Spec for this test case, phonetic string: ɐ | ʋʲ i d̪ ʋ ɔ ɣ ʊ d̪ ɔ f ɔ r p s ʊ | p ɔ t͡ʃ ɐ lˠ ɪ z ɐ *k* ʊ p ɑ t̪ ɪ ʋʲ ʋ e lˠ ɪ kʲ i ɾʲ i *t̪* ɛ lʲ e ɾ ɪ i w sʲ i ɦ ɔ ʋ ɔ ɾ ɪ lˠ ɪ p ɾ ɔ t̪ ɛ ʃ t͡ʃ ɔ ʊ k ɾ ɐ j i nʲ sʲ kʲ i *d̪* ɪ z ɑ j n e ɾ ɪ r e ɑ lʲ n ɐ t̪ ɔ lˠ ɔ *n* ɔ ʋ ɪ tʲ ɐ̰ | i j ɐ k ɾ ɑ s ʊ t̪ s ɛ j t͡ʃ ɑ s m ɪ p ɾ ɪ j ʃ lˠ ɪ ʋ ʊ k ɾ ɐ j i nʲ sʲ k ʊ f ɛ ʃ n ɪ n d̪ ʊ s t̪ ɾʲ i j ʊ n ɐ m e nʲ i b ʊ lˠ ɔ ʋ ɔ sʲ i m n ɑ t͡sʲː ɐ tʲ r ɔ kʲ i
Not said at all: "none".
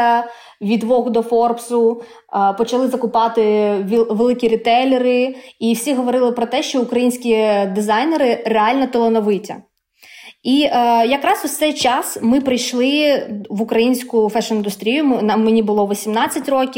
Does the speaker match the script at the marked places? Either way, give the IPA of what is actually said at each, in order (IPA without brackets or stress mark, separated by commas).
k, t̪, d̪, n